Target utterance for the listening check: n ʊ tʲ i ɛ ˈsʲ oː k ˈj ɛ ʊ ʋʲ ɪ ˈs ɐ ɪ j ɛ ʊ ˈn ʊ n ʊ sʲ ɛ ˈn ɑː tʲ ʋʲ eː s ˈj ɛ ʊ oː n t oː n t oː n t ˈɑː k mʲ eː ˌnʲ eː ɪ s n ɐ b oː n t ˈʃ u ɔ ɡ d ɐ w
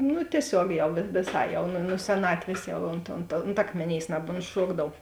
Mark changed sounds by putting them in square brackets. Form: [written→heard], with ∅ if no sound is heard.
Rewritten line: n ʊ tʲ i ɛ ˈsʲ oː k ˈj ɛ ʊ ʋʲ ɪ ˈs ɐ ɪ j ɛ ʊ ˈn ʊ n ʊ sʲ ɛ ˈn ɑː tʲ ʋʲ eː s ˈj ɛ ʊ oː n t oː n t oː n t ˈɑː k mʲ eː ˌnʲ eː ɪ s n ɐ b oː n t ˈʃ u ɔ ɡ d ɐ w